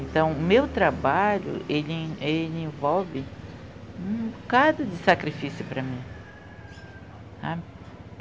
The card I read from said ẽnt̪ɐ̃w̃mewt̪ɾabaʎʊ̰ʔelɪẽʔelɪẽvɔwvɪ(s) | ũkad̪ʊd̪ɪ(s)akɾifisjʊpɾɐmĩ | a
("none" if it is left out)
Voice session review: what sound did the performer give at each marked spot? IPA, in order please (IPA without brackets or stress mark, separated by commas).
none, s